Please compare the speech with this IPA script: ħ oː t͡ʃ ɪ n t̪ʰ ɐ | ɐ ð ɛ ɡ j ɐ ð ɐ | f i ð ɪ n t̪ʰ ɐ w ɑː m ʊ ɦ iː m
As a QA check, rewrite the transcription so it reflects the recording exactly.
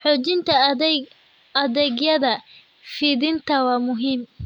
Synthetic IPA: ħ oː t͡ʃ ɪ n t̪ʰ ɐ | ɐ ð ɛ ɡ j ɐ ð ɐ | f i ð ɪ n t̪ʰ ɐ w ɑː m ʊ ɦ iː m